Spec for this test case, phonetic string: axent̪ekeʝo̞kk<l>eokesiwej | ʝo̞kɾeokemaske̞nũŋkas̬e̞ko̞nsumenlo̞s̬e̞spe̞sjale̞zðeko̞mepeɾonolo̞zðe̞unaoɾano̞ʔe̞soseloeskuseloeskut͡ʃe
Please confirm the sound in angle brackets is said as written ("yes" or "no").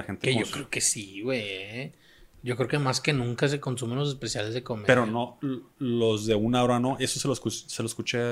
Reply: no